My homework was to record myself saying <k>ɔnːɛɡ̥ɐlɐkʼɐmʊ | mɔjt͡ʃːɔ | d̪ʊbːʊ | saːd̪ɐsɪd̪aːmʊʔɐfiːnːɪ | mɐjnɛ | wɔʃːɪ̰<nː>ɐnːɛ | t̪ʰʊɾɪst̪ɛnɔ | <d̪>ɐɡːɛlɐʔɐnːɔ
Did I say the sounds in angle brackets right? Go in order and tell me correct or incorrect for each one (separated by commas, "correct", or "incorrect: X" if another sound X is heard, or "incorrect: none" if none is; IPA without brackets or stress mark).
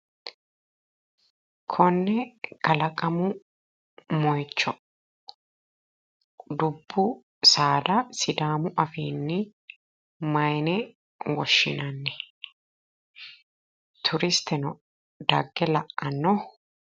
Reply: incorrect: kʰ, incorrect: n, correct